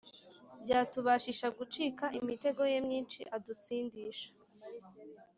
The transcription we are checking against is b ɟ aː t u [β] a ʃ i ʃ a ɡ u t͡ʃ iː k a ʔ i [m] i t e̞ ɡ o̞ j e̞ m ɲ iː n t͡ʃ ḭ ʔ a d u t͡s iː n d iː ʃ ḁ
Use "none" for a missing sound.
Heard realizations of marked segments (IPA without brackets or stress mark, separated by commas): β, m